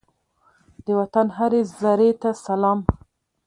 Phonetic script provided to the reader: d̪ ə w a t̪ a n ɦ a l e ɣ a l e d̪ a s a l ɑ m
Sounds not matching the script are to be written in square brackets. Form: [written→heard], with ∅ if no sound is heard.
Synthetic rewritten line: d̪ ə w a t̪ a n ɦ a [l→ɾ] e [ɣ→z] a [l→ɾ] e [d̪→t̪] a s a l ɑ m